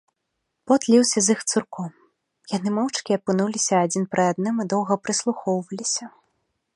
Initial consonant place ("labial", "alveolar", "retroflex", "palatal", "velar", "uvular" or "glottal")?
labial